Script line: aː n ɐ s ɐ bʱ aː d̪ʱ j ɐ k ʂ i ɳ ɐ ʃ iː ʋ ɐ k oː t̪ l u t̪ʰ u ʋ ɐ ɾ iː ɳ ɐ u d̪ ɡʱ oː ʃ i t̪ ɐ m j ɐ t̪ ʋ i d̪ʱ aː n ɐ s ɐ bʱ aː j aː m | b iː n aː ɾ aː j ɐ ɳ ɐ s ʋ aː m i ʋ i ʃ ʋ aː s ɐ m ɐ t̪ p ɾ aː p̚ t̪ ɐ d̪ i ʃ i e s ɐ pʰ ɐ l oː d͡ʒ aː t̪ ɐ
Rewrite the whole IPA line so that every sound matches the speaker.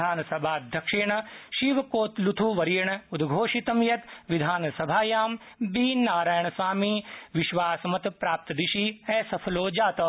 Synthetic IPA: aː n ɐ s ɐ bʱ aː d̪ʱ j ɐ k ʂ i ɳ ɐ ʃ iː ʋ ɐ k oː t̪ l u t̪ʰ u ʋ ɐ ɾ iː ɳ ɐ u d̪ ɡʱ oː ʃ i t̪ ɐ m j ɐ t̪ ʋ i d̪ʱ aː n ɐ s ɐ bʱ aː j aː m | b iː n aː ɾ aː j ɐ ɳ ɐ s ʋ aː m i ʋ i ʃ ʋ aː s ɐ m ɐ t̪ p ɾ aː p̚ t̪ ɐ d̪ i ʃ i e s ɐ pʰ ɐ l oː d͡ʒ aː t̪ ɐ